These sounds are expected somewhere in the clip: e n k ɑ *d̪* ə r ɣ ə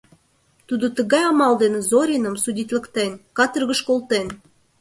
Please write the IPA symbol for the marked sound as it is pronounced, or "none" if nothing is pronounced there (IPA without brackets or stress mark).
t̪